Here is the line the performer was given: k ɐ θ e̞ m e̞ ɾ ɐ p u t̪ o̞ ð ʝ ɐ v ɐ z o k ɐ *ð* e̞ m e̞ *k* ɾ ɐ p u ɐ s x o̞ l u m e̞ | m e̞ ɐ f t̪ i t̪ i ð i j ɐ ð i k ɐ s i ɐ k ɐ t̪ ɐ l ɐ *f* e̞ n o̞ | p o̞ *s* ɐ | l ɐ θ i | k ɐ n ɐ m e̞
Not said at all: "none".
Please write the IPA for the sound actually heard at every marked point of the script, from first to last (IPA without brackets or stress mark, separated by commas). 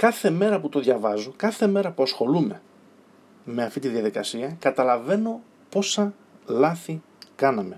θ, none, v, s